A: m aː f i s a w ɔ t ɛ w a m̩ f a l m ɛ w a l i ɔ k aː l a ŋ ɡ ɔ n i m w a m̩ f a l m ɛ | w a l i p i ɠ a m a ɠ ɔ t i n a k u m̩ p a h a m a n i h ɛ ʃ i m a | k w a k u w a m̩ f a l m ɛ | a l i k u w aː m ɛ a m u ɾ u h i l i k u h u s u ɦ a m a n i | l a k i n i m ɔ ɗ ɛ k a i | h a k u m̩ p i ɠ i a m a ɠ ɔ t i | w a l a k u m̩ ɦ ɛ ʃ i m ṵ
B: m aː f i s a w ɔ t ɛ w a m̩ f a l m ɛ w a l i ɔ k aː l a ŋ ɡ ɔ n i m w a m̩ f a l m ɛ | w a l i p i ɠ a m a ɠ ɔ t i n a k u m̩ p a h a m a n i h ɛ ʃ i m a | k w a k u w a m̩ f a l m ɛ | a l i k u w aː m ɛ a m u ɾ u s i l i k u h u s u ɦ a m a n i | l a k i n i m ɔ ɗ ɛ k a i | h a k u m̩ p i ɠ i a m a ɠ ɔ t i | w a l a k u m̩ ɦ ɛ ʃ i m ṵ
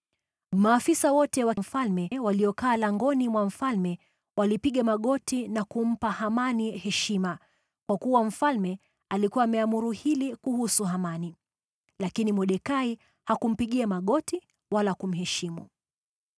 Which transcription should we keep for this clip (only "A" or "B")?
A